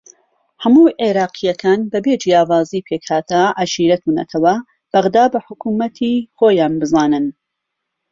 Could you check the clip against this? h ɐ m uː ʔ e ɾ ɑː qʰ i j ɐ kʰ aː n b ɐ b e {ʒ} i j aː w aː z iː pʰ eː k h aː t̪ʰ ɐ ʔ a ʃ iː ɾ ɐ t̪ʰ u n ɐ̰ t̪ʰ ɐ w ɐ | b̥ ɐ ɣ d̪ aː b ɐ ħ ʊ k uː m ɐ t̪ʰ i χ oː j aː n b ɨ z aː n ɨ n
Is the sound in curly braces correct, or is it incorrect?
incorrect: d͡ʒ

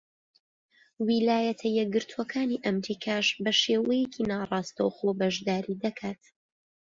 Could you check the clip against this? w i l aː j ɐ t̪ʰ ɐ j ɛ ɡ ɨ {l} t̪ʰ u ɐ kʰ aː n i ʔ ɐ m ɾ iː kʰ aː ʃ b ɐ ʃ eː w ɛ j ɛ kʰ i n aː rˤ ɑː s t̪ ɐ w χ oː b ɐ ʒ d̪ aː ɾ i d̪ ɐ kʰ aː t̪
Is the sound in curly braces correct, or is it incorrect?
incorrect: ɾ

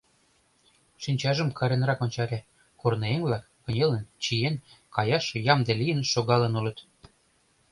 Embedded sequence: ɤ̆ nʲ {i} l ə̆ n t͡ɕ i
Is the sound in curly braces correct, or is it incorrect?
incorrect: e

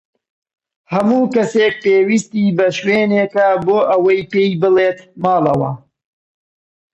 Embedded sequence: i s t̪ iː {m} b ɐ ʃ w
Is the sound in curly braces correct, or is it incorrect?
incorrect: none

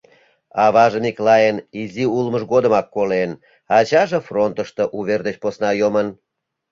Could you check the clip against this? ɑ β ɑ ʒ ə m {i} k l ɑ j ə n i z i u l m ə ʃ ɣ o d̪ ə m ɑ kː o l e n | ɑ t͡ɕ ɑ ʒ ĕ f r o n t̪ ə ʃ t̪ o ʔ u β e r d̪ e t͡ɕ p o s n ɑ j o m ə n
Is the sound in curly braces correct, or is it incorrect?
correct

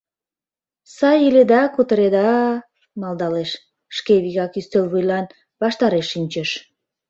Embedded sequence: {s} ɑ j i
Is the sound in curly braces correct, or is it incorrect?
correct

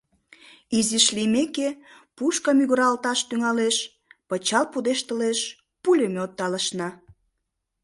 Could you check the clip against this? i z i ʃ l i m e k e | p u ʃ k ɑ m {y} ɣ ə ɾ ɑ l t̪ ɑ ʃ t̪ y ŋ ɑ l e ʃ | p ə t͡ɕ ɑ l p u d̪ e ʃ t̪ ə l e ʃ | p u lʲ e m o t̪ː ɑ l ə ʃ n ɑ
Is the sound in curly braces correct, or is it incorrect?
correct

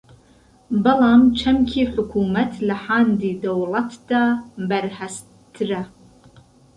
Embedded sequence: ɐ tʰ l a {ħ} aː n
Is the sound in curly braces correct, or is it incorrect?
correct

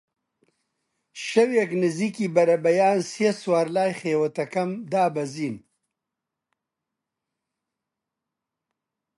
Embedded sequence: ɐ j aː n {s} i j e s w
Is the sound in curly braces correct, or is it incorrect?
correct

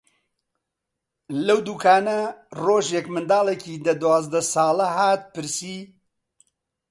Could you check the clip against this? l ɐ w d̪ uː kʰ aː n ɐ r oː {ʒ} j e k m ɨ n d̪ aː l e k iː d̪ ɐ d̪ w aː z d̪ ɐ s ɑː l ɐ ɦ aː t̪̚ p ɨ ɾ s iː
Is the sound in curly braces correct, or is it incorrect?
correct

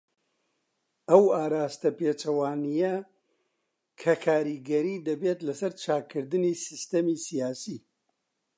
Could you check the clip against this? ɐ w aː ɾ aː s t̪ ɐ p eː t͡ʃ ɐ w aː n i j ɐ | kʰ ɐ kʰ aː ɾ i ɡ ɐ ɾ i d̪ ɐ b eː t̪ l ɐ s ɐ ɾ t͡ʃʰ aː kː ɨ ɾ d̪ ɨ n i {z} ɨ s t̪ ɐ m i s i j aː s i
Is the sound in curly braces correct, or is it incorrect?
incorrect: s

